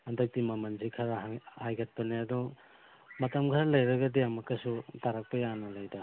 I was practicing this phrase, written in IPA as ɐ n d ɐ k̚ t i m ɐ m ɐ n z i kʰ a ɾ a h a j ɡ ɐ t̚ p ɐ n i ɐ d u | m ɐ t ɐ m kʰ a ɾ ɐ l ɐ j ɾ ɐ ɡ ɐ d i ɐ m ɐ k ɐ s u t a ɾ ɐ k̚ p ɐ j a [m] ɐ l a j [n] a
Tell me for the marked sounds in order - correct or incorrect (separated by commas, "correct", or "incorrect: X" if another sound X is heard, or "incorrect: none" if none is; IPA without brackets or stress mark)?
incorrect: n, incorrect: d